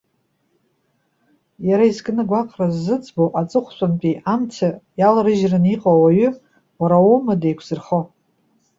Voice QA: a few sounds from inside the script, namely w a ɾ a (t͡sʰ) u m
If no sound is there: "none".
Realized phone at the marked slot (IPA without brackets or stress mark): none